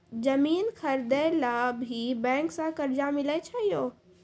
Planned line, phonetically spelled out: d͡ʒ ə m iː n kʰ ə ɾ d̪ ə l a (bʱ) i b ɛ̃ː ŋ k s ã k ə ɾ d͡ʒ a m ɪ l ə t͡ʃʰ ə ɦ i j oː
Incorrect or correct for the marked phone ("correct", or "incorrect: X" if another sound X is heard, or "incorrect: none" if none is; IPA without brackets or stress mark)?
correct